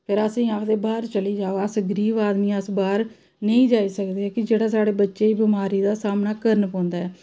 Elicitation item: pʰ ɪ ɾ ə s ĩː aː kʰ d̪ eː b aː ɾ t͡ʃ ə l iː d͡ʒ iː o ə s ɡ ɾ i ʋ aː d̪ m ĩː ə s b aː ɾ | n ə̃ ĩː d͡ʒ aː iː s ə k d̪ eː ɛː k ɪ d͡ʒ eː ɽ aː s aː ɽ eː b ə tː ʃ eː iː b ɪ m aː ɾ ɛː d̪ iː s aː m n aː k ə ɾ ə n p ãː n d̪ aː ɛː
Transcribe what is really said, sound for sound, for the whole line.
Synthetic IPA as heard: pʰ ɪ ɾ ə s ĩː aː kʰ d̪ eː b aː ɾ t͡ʃ ə l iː d͡ʒ aː o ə s ɡ ɾ iː ʋ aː d̪ m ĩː ə s b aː ɾ | n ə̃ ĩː d͡ʒ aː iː s ə k d̪ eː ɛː k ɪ d͡ʒ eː ɽ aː s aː ɽ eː b ə tː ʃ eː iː b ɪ m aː ɾ iː d̪ aː s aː m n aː k ə ɾ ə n p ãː n d̪ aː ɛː